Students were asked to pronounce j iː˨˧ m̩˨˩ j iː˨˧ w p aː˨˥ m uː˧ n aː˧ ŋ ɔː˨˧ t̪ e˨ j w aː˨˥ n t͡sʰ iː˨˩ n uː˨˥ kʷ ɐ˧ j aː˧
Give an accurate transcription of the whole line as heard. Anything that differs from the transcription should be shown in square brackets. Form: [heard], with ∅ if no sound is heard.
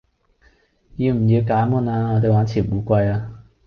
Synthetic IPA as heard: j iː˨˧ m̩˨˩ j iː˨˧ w [k] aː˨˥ m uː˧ n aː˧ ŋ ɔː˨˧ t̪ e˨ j w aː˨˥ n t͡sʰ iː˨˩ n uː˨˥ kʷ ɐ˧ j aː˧

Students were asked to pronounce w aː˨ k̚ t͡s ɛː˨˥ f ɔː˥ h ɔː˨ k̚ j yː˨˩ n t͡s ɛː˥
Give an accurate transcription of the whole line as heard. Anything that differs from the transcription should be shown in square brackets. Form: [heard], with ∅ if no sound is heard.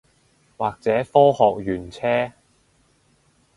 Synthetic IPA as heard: w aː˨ k̚ t͡s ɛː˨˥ f ɔː˥ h ɔː˨ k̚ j yː˨˩ n [t͡sʰ] ɛː˥

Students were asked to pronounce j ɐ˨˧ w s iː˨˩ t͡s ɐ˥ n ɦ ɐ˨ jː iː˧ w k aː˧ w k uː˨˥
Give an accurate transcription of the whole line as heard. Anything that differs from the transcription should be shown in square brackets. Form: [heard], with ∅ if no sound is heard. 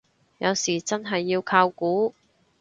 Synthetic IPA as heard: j ɐ˨˧ w s iː˨˩ t͡s ɐ˥ n ɦ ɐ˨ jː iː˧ w [kʰ] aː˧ w k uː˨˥

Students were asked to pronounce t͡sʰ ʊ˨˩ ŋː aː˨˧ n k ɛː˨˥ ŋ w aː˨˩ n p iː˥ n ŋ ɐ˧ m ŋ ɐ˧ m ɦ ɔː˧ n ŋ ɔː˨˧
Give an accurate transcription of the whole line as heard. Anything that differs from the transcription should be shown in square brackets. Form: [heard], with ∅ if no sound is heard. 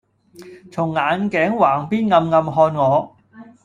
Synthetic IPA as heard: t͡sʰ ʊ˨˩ ŋː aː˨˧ n k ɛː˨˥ ŋ w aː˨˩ [ŋ] p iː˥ n ŋ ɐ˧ m ŋ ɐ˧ m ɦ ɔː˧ n ŋ ɔː˨˧

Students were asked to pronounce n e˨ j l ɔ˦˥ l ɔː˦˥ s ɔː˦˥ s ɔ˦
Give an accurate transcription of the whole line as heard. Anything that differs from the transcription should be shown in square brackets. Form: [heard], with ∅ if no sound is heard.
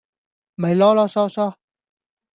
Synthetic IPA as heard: [m] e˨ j l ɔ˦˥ l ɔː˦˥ s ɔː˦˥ s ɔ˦

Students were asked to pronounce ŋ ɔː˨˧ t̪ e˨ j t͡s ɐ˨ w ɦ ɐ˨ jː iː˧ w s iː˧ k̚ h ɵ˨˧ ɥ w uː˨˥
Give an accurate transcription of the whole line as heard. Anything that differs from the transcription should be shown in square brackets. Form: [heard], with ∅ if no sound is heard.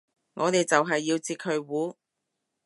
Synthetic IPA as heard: ŋ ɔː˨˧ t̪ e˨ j t͡s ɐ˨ w ɦ ɐ˨ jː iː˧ w [t͡s] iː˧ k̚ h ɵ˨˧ ɥ w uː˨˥

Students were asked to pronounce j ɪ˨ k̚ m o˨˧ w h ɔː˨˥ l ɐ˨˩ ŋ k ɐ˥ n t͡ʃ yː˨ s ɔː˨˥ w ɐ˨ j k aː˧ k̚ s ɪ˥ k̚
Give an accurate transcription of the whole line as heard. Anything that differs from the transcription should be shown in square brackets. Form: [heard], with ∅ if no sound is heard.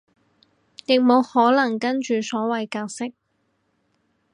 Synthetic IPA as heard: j ɪ˨ k̚ m o˨˧ w h ɔː˨˥ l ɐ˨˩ ŋ k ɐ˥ n t͡ʃ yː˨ s ɔː˨˥ w ɐ˨ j k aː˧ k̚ s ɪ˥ k̚

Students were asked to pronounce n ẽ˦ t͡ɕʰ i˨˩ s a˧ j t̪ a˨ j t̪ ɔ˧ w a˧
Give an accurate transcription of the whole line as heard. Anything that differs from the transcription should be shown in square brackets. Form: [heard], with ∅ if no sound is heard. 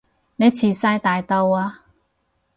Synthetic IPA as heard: n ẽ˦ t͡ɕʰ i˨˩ s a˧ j t̪ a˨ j t̪ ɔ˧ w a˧

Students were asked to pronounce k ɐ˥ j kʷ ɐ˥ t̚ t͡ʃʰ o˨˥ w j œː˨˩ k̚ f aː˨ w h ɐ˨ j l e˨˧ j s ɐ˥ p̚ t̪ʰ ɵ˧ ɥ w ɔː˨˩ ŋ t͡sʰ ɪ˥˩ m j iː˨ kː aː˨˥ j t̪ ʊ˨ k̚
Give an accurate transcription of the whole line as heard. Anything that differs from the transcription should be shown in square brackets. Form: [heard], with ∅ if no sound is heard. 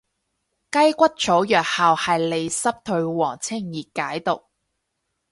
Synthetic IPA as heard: k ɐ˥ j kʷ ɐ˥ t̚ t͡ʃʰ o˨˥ w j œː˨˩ k̚ [h] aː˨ w h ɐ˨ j l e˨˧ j s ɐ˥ p̚ t̪ʰ ɵ˧ ɥ w ɔː˨˩ ŋ t͡sʰ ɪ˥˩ [ŋ] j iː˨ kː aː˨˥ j t̪ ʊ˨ k̚

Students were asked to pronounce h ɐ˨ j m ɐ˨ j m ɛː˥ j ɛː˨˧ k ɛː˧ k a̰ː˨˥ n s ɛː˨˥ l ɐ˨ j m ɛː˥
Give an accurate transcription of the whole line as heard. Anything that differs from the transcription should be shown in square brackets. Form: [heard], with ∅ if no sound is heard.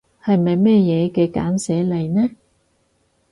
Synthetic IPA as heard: h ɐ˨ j m ɐ˨ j m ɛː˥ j ɛː˨˧ k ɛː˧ k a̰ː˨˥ n s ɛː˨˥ l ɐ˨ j [n] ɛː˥

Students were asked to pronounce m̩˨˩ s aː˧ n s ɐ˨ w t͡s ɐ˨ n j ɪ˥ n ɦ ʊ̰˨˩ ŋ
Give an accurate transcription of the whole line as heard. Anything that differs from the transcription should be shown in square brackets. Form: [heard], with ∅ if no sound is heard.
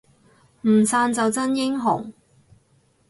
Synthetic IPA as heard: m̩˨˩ s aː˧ n [t͡s] ɐ˨ w t͡s [ɐ˥] n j ɪ˥ [ŋ] ɦ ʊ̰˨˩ ŋ

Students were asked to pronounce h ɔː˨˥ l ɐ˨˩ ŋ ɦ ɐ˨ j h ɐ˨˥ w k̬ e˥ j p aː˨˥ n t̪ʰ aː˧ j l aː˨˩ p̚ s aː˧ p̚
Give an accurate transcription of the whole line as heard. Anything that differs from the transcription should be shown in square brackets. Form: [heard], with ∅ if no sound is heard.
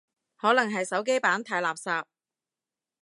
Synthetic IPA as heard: h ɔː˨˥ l ɐ˨˩ ŋ ɦ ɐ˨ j [s] ɐ˨˥ w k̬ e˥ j p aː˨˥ n t̪ʰ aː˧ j l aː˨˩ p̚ s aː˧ p̚

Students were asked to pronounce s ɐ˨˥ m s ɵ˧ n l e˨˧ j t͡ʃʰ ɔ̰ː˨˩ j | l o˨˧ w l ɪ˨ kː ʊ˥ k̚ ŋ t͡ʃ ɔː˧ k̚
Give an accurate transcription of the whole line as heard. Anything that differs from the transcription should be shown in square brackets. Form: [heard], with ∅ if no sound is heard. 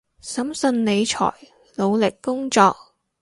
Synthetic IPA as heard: s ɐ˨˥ m s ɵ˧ n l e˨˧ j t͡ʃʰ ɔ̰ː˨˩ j | l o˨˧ w l ɪ˨ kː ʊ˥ [∅] ŋ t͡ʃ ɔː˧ k̚

